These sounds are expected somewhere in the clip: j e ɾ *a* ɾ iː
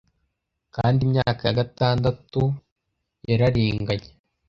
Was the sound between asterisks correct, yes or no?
yes